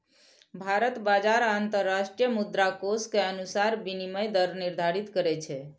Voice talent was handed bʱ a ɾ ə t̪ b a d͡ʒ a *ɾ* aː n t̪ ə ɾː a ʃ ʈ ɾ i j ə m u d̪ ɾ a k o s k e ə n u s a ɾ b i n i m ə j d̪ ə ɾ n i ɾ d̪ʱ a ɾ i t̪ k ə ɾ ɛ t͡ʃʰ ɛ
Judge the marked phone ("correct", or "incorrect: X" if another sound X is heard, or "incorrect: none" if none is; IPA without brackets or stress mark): correct